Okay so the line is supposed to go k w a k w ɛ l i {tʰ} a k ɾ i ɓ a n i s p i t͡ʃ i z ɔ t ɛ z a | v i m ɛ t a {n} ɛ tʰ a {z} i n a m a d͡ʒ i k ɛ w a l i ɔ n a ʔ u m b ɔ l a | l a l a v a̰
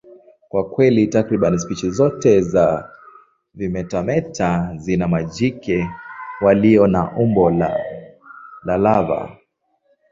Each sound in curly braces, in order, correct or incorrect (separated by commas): incorrect, incorrect, correct